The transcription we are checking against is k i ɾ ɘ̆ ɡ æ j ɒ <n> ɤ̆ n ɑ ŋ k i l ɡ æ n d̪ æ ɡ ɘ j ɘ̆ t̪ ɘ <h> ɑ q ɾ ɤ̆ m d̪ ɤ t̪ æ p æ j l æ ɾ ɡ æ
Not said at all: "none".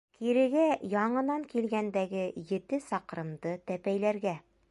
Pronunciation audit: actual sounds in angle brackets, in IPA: ɴ, s

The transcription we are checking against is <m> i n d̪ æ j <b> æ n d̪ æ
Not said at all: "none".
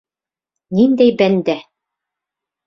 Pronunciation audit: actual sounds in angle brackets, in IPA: n, b

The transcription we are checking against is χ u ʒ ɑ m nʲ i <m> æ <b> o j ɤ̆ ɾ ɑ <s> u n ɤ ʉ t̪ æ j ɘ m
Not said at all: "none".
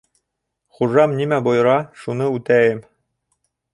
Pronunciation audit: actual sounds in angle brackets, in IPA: m, b, ʃ

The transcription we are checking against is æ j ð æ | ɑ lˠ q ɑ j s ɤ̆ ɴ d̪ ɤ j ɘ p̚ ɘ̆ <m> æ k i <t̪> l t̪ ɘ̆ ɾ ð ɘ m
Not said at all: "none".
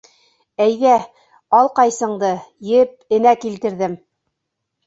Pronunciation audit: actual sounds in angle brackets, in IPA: n, none

